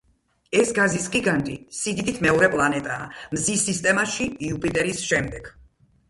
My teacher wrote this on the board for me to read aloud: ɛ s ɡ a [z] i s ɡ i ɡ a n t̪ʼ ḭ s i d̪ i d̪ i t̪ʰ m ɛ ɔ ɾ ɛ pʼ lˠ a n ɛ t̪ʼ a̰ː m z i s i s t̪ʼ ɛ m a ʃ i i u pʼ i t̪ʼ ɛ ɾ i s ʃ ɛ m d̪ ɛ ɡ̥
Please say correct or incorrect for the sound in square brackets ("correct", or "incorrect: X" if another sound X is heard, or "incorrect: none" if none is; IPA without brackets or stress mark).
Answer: correct